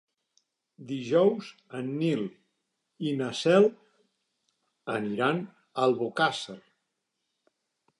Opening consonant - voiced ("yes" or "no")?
yes